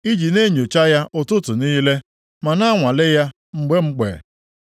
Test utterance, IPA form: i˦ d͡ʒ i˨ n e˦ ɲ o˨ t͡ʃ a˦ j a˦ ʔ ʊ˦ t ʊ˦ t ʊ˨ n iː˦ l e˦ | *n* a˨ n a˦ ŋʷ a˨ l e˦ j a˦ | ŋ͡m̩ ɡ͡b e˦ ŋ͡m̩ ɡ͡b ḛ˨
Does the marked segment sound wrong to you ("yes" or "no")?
yes